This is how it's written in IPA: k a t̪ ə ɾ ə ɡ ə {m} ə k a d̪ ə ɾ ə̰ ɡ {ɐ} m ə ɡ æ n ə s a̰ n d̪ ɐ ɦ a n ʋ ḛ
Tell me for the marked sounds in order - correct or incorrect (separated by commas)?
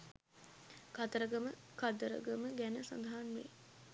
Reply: correct, incorrect